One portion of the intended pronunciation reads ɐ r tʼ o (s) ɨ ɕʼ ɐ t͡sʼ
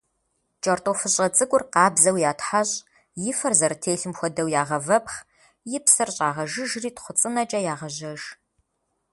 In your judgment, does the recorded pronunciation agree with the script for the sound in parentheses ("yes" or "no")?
no